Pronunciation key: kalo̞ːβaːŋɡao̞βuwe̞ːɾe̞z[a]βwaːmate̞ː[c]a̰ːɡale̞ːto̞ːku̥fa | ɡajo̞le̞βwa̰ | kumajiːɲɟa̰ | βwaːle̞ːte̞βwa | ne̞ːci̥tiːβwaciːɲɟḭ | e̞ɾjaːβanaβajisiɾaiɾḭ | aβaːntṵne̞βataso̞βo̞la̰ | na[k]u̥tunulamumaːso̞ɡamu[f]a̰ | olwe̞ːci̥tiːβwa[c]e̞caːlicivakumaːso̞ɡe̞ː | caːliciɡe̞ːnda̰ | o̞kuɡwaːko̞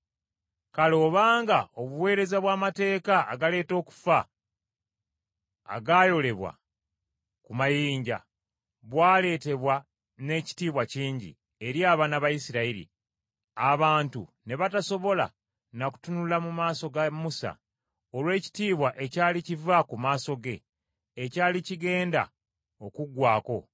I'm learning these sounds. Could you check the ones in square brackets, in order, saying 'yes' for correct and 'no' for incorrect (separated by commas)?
yes, no, yes, no, no